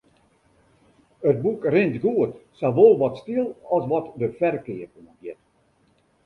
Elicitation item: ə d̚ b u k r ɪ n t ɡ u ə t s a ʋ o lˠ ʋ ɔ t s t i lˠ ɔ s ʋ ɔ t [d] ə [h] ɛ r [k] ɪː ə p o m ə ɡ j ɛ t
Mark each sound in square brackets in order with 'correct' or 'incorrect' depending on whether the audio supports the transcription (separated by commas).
correct, incorrect, correct